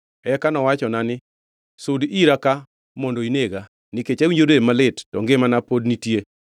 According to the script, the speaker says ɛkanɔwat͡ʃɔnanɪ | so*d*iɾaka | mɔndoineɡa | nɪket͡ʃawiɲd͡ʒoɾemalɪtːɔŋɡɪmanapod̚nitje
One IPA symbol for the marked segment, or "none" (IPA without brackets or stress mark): d